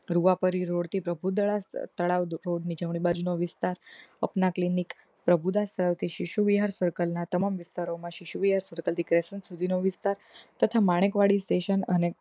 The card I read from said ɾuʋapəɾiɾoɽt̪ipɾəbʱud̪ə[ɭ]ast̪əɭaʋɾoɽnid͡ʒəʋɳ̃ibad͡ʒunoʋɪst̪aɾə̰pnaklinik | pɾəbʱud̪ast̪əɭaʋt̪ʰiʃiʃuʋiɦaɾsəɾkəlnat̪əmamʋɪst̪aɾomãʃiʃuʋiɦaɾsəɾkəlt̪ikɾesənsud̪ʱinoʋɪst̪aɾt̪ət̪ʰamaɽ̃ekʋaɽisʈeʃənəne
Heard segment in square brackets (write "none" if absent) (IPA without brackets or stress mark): ɭ